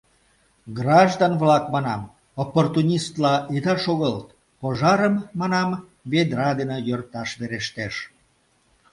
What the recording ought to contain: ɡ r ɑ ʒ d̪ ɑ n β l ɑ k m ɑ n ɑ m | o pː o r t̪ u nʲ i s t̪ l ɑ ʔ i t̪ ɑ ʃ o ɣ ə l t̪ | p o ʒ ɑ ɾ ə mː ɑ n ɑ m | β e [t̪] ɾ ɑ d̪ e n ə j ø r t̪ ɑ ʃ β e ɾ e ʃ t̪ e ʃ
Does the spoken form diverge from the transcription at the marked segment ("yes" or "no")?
yes